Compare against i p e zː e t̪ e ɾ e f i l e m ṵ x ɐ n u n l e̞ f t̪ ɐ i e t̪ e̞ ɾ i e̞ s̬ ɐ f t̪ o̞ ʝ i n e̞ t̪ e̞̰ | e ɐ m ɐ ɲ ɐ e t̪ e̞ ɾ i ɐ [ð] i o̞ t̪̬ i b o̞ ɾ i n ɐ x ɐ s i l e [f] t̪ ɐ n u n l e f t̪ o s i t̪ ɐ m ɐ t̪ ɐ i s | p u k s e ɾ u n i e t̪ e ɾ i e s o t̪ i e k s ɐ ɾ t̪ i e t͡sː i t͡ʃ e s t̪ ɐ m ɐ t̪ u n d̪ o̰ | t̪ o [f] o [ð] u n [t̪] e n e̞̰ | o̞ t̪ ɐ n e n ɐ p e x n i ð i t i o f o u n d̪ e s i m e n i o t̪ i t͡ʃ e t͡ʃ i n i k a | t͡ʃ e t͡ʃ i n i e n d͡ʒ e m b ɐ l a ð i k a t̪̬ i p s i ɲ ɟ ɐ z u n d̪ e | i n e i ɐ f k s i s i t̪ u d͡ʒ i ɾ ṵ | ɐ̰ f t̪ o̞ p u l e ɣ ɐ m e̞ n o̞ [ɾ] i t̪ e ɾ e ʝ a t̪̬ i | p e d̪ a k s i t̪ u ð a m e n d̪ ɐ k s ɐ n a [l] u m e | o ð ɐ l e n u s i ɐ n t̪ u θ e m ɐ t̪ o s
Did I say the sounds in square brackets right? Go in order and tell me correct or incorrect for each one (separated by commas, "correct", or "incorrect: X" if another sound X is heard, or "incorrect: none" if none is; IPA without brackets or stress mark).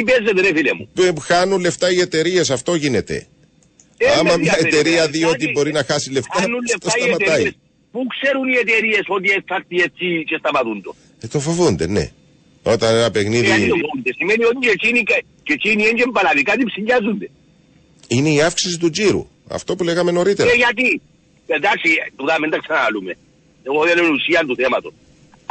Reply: correct, correct, correct, incorrect: v, incorrect: d̪, correct, correct